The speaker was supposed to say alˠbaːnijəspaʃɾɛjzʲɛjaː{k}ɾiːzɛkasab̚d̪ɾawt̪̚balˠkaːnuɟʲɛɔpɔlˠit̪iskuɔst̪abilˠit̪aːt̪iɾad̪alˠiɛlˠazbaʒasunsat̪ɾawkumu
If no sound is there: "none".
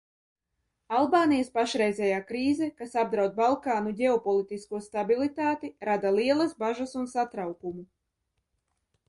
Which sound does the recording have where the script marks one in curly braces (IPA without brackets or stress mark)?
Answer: k